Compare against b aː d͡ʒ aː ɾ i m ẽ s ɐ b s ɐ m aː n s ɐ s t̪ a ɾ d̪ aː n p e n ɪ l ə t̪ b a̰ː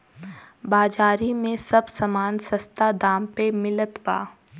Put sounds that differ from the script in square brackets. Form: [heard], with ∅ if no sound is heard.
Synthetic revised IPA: b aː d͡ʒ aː ɾ i m ẽ s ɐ b s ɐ m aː n s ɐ s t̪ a [∅] d̪ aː [m] p e [m] ɪ l ə t̪ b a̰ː